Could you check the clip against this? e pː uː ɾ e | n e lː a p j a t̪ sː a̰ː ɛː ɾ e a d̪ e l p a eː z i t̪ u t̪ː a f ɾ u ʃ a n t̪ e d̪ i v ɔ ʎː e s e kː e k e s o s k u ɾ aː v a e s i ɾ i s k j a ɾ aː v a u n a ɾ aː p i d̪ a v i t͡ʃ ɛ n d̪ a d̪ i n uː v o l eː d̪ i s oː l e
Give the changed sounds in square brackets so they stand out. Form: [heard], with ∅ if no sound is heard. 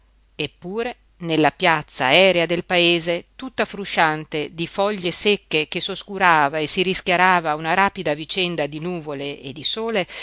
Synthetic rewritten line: e pː uː ɾ e | n e lː a p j a t̪ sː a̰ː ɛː ɾ e a d̪ e l p a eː z [e] t̪ u t̪ː a f ɾ u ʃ a n t̪ e d̪ i [f] ɔ ʎː e s e kː e k e s o s k u ɾ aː v a e s i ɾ i s k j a ɾ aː v a u n a ɾ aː p i d̪ a v i t͡ʃ ɛ n d̪ a d̪ i n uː v o l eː d̪ i s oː l e

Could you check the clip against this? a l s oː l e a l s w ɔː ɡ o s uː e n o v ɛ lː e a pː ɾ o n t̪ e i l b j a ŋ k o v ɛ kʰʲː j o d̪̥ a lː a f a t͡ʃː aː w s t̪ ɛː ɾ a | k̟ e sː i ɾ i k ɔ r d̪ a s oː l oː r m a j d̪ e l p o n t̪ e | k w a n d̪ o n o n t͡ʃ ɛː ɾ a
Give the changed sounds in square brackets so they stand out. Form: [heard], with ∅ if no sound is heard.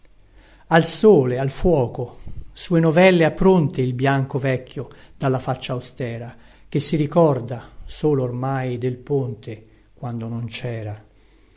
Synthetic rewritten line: a l s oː l e a l [f] w ɔː [k] o s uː e n o v ɛ lː e a pː ɾ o n t̪ e i l b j a ŋ k o v ɛ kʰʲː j o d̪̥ a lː a f a t͡ʃː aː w s t̪ ɛː ɾ a | k̟ e sː i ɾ i k ɔ r d̪ a s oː l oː r m a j d̪ e l p o n t̪ e | k w a n d̪ o n o n t͡ʃ ɛː ɾ a

